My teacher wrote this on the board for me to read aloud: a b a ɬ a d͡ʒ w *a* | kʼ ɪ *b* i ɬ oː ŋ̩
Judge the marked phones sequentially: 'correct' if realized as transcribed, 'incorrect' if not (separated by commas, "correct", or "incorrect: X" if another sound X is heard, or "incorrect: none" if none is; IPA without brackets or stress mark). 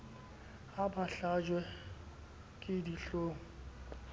incorrect: ɛ, incorrect: d